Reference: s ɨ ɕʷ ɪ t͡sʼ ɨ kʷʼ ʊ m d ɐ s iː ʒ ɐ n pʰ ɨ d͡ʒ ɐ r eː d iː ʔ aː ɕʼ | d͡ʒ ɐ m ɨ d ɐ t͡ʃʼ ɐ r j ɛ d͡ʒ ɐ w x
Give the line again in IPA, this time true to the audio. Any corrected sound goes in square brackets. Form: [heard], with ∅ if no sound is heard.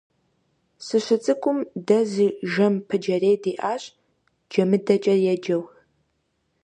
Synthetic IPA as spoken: s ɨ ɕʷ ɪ t͡sʼ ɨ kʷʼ ʊ m d ɐ [z] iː ʒ ɐ [m] pʰ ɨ d͡ʒ ɐ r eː d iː ʔ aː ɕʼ | d͡ʒ ɐ m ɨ d ɐ t͡ʃʼ ɐ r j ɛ d͡ʒ ɐ w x

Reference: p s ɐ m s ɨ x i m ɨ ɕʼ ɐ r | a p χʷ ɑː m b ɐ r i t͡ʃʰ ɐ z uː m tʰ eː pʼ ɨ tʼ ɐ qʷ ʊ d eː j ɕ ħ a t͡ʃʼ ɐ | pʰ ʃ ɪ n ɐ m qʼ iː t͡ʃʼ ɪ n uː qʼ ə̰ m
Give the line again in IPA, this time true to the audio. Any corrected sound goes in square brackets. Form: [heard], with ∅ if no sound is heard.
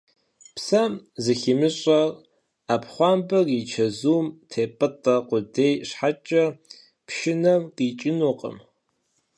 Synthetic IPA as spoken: p s ɐ m [z] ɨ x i m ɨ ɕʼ ɐ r | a p χʷ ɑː m b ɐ r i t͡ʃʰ ɐ z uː m tʰ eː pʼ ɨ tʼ ɐ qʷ ʊ d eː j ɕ ħ a t͡ʃʼ ɐ | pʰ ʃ ɪ n ɐ m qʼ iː t͡ʃʼ ɪ n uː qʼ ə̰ m

